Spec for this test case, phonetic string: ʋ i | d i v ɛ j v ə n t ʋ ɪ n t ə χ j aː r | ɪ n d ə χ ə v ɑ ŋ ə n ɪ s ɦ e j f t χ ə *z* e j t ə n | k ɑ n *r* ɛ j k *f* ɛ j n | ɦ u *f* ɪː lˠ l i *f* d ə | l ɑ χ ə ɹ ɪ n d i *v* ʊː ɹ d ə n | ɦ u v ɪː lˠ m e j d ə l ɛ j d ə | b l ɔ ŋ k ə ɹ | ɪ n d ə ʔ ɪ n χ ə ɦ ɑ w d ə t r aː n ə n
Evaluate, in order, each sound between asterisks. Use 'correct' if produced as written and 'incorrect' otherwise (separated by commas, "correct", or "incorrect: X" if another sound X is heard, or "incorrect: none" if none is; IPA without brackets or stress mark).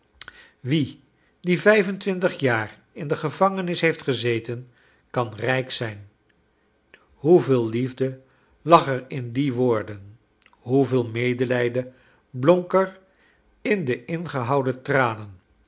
correct, correct, incorrect: s, incorrect: v, incorrect: v, incorrect: ʋ